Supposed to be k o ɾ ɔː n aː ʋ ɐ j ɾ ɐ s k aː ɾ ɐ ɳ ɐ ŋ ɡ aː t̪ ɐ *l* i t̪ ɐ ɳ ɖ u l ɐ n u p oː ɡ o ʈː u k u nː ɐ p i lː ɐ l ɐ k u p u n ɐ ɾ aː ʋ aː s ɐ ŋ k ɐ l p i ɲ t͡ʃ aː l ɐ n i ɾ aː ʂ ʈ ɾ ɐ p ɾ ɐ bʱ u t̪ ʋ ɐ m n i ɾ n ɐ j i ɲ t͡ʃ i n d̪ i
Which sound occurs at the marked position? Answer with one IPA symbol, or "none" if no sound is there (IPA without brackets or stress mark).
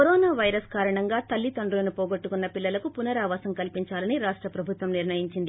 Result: lː